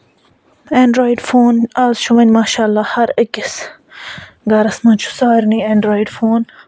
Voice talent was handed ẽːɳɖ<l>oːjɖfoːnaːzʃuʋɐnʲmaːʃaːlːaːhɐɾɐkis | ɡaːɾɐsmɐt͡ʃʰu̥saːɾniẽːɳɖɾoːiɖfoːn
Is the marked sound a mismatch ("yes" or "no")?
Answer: yes